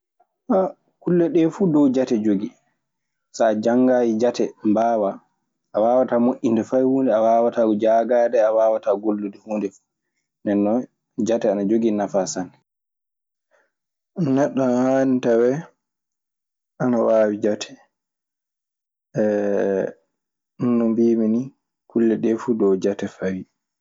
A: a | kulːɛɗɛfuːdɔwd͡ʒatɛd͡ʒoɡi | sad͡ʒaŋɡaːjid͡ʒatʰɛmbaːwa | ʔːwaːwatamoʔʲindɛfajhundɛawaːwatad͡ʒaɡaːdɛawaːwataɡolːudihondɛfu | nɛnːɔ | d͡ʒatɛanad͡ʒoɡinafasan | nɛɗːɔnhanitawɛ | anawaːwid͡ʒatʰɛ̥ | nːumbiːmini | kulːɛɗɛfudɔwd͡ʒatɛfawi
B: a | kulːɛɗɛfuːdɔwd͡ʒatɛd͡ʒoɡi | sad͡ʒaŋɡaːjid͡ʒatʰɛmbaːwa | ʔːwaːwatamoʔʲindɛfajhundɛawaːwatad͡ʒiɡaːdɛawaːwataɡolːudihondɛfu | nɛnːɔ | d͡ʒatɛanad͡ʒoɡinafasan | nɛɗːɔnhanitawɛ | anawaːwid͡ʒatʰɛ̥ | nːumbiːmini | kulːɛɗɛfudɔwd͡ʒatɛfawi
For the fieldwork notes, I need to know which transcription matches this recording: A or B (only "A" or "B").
A